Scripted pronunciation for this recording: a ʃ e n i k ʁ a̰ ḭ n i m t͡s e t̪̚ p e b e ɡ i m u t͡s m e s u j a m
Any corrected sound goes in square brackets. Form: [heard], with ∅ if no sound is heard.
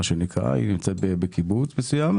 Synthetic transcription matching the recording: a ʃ e n i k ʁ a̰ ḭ n i m t͡s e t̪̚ [b] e b e [k] i [b] u t͡s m e s u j a m